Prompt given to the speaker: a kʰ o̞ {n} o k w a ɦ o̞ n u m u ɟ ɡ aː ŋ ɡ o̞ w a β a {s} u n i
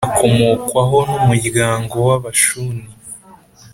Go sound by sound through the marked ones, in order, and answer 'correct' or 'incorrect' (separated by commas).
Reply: incorrect, incorrect